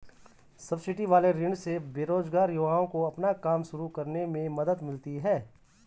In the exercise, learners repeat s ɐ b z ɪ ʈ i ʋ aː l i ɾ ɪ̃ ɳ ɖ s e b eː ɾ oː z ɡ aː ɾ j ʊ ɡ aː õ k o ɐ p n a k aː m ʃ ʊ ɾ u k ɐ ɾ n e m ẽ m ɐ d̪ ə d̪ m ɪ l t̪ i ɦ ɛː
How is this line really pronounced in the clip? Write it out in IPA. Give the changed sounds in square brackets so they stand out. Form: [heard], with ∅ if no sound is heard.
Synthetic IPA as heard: s ɐ b [s] ɪ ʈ i ʋ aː l [e] ɾ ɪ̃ ɳ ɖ s e b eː ɾ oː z ɡ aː ɾ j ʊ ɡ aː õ k o ɐ p n a k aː m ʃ ʊ ɾ u k ɐ ɾ n e m ẽ m ɐ d̪ ə d̪ m ɪ l t̪ i ɦ ɛː